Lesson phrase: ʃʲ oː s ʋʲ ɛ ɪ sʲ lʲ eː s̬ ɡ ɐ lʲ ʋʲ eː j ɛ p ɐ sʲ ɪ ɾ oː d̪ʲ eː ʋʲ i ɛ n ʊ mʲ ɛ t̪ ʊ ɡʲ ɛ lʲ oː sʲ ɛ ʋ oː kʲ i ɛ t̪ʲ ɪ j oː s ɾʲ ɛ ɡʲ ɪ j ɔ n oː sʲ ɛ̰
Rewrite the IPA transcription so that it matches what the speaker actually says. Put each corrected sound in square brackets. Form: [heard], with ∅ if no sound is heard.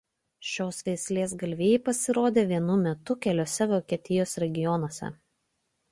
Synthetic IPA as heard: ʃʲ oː s ʋʲ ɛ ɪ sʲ lʲ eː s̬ ɡ ɐ lʲ ʋʲ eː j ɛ p ɐ sʲ ɪ ɾ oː d̪ʲ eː ʋʲ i ɛ n ʊ mʲ ɛ t̪ ʊ [kʲ] ɛ lʲ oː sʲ ɛ ʋ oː kʲ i ɛ t̪ʲ ɪ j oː s ɾʲ ɛ ɡʲ ɪ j ɔ n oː sʲ ɛ̰